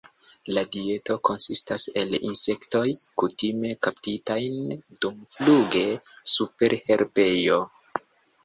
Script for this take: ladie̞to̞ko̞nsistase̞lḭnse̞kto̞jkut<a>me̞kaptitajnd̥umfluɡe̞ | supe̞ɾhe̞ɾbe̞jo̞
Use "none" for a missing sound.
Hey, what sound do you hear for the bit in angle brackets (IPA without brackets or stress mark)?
i